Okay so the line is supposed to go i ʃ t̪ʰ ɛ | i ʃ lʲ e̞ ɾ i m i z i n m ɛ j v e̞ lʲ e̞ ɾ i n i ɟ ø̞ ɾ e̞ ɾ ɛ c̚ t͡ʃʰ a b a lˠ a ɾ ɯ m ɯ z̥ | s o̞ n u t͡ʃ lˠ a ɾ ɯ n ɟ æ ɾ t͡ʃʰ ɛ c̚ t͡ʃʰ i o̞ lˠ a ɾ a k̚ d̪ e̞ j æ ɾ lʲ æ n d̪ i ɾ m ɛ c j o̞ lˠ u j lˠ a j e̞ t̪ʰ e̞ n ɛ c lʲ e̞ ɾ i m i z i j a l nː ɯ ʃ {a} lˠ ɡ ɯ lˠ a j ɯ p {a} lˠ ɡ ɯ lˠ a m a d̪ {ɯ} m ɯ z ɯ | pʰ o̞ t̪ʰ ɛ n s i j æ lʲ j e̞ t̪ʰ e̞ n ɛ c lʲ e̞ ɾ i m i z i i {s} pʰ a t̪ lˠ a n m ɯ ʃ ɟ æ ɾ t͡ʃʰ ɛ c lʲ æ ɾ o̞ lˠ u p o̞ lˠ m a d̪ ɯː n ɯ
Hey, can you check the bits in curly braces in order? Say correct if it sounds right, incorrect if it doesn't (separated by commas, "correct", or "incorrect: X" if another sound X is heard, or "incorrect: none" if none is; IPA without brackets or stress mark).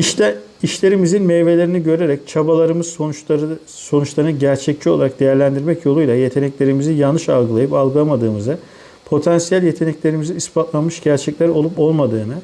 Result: correct, correct, incorrect: ɯː, correct